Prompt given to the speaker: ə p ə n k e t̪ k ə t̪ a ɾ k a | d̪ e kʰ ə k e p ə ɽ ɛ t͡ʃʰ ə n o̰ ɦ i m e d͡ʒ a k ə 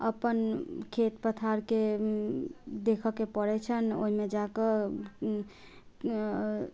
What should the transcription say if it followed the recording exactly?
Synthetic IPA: ə p ə n kʰ e t̪ p ə t̪ʰ a ɾ k e | d̪ e kʰ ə k e p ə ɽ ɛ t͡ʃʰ ə n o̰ ɦ i m e d͡ʒ a k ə

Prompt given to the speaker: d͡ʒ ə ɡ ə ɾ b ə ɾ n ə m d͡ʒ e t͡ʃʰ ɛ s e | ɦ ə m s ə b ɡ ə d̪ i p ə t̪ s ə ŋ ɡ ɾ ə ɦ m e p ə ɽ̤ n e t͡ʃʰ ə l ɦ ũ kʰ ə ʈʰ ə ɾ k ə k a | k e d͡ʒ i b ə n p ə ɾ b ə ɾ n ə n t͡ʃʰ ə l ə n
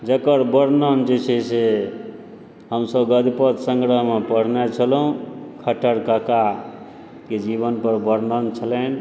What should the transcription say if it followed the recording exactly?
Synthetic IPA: d͡ʒ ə k ə ɾ b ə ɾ n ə n d͡ʒ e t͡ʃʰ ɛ s e | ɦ ə m s ə b ɡ ə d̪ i p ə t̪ s ə ŋ ɡ ɾ ə ɦ m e p ə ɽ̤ n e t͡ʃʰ ə l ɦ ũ kʰ ə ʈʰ ə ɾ k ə k a | k e d͡ʒ i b ə n p ə ɾ b ə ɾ n ə n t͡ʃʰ ə l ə n

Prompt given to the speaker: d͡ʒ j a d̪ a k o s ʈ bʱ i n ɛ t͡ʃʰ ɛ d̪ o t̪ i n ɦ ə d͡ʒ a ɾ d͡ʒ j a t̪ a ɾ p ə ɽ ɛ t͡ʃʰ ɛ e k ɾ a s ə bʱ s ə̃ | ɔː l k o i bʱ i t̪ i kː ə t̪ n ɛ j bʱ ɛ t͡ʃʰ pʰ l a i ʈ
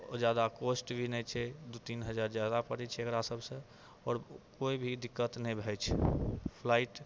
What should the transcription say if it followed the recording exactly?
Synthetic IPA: d͡ʒ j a d̪ a k o s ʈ bʱ i n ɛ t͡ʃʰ ɛ d̪ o t̪ i n ɦ ə d͡ʒ a ɾ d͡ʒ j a d̪ a p ə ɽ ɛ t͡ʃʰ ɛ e k ɾ a s ə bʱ s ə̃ | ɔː ɾ k o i bʱ i d̪ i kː ə t̪ n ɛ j bʱ ɛ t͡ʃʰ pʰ l a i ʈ

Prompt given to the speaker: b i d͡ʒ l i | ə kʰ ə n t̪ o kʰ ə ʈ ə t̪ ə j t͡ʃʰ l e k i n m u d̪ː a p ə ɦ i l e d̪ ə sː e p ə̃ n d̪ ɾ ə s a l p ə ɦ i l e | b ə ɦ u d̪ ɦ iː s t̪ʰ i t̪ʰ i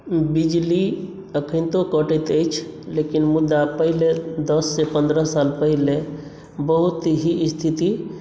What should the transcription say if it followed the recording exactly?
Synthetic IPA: b i d͡ʒ l i | ə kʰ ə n t̪ o k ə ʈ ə t̪ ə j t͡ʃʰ l e k i n m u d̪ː a p ə ɦ i l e d̪ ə sː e p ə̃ n d̪ ɾ ə s a l p ə ɦ i l e | b ə ɦ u t̪ ɦ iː s t̪ʰ i t̪ i

